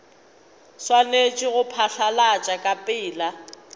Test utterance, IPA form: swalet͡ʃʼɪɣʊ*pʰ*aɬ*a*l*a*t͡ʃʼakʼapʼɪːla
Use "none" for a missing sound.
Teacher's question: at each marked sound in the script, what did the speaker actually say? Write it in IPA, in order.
pʰ, a, a

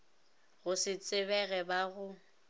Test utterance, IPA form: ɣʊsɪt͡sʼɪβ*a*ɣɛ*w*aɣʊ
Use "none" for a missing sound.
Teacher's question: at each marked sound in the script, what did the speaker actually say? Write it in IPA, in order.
ɛ, b

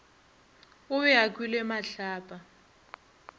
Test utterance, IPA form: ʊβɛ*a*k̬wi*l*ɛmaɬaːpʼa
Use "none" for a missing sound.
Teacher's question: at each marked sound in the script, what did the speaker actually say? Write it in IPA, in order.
a, l

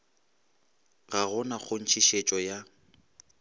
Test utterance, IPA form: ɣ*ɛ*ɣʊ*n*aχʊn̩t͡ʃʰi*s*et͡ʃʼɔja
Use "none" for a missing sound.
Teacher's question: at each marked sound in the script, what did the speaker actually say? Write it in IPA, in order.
a, n, ʃ

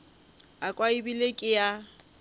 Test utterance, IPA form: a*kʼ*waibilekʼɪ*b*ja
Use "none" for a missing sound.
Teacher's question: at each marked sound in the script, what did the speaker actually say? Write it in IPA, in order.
kʼ, none

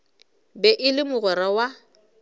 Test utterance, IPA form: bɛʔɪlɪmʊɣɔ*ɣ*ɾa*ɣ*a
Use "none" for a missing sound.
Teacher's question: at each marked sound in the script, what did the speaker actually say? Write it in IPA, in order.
none, w

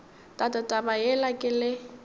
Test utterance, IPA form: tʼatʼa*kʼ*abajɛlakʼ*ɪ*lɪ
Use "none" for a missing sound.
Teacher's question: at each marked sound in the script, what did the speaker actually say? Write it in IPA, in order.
tʼ, ɪ

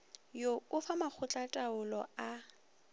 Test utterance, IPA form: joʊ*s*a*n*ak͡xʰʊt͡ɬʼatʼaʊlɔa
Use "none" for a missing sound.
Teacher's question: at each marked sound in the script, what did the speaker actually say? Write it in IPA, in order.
f, m

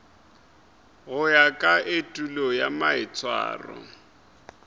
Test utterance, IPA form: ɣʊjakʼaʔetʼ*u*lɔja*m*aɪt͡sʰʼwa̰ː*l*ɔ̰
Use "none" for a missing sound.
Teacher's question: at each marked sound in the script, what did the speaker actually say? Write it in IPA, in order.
u, m, r

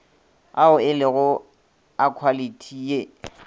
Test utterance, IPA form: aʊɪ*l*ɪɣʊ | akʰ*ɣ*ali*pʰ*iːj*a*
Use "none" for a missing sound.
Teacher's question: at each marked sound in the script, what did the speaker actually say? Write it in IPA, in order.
l, w, tʰ, e

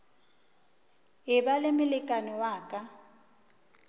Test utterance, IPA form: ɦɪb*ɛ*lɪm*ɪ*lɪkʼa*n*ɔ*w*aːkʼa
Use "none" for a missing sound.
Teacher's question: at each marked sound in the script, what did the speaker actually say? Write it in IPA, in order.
a, ɪ, n, w

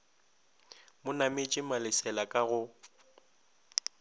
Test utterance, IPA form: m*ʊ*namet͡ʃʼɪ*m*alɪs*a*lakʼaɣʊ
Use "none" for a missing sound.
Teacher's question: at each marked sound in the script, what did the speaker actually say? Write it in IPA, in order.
ʊ, m, ɛ

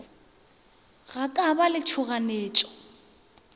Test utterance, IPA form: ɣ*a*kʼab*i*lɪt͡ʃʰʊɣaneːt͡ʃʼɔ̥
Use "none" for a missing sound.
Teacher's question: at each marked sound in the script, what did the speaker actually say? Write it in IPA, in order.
a, a

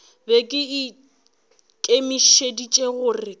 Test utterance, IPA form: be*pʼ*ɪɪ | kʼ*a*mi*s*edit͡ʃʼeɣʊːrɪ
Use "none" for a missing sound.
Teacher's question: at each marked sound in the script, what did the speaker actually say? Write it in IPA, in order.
kʼ, e, ʃ

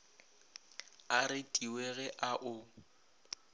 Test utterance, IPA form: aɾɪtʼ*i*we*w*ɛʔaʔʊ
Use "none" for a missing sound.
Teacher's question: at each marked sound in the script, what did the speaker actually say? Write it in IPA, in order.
i, ɣ

